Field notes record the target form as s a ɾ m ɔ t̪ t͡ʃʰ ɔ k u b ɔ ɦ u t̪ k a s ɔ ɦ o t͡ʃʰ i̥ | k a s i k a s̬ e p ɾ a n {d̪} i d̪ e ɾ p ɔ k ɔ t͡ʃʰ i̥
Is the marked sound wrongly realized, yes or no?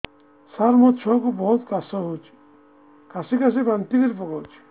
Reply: yes